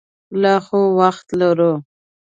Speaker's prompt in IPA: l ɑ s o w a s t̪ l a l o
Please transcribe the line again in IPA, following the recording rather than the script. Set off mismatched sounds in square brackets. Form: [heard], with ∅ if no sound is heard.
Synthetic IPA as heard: l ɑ [x] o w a [x] t̪ l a [ɾ] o